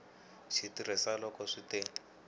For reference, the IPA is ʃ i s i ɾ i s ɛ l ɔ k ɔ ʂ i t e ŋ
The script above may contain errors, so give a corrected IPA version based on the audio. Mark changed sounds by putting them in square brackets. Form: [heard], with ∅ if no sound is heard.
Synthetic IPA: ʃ i [t] i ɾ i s [a] l ɔ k ɔ ʂ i t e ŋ